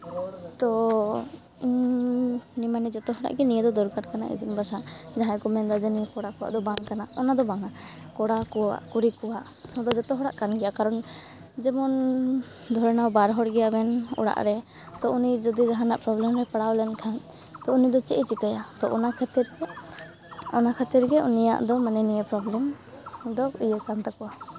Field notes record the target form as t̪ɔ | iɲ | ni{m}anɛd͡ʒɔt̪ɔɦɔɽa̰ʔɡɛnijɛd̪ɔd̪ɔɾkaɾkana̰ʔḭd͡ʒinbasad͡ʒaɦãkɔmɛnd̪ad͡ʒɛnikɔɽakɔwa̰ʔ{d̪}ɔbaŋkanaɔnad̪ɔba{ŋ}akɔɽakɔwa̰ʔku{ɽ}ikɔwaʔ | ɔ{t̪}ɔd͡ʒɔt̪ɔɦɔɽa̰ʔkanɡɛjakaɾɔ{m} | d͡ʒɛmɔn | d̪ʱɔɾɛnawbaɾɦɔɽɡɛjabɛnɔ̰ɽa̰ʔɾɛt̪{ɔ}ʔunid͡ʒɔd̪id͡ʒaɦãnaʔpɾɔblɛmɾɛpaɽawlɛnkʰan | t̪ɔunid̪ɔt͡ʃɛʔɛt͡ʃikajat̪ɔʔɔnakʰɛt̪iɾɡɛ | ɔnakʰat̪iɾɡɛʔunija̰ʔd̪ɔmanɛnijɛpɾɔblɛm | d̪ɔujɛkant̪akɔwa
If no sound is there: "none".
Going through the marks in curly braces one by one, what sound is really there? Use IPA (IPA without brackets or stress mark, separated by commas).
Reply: m, d̪, ŋ, ɾ, d̪, n, ɔ